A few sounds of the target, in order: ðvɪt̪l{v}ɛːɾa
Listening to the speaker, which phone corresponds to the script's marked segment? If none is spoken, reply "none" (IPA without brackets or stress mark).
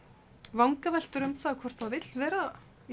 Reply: v